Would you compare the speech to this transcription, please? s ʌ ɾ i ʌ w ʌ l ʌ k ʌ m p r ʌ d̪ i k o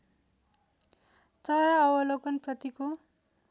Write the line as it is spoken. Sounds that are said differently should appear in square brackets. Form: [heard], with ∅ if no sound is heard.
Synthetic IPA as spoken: [t͡s] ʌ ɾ [a] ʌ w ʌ l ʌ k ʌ [n] p r ʌ [t̪] i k o